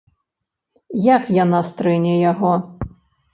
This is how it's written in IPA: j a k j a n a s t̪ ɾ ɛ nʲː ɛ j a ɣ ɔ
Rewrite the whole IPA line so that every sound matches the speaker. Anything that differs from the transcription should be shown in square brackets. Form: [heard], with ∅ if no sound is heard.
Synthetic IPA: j a k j a n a s t̪ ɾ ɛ [nʲ] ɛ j a ɣ ɔ